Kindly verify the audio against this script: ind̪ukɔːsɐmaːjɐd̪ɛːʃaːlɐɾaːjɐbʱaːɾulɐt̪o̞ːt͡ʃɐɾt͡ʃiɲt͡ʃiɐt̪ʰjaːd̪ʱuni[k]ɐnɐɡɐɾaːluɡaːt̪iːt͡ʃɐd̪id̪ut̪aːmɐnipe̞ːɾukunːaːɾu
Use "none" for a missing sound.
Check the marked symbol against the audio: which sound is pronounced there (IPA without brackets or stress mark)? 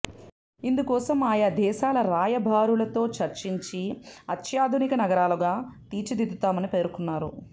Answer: k